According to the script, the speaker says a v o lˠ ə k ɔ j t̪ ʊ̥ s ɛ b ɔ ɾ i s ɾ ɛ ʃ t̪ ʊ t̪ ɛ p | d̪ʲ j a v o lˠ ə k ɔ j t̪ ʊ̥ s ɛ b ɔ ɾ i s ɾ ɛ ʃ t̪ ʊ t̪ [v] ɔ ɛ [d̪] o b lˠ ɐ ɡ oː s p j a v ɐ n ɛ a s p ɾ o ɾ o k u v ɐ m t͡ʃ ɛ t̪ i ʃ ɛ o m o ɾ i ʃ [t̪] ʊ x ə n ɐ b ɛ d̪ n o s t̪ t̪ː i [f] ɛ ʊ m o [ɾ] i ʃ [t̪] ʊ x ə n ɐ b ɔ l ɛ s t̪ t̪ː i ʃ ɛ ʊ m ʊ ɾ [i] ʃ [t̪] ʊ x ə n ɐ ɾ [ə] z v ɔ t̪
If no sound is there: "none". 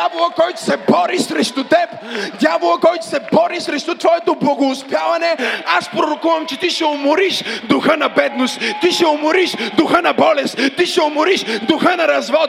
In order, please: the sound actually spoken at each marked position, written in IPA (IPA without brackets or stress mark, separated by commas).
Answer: v, t̪, d̪, ʃ, ɾ, d̪, i, d̪, ɐ